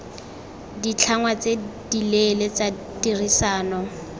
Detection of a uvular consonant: absent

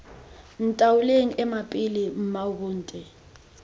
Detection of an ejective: present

